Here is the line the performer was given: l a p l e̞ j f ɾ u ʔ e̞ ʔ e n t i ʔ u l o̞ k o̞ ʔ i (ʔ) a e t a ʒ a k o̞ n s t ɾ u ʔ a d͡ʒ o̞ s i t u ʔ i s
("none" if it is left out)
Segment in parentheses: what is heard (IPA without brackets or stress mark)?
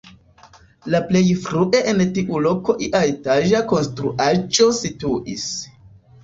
ʔ